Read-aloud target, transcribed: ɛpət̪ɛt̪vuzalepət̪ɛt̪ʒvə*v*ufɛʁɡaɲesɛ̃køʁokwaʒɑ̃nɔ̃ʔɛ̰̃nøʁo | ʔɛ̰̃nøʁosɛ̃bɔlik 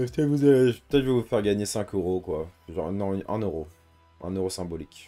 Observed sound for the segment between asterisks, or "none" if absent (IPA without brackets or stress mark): v